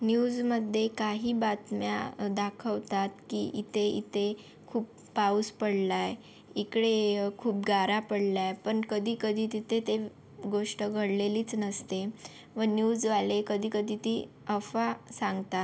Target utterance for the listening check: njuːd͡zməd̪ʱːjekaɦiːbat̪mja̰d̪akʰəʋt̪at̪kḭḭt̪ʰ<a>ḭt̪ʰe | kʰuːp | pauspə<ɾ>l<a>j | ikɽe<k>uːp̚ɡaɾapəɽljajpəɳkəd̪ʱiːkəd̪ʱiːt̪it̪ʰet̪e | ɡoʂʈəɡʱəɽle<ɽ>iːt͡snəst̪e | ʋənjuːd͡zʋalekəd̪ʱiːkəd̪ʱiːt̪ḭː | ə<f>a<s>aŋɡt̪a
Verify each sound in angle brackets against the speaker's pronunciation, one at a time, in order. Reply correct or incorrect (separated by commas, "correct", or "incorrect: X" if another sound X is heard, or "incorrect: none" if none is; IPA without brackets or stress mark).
incorrect: e, incorrect: ɽ, correct, incorrect: kʰ, incorrect: l, correct, correct